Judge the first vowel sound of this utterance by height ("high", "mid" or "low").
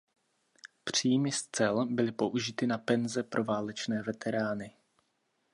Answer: high